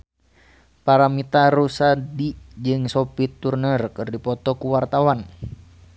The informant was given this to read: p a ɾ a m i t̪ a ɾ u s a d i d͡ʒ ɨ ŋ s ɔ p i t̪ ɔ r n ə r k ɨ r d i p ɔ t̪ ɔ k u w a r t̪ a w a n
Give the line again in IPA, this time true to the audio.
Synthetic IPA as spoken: p a ɾ a m i t̪ a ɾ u s a d i d͡ʒ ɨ ŋ s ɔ p i t̪ u r n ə r k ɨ r d i p ɔ t̪ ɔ k u w a r t̪ a w a n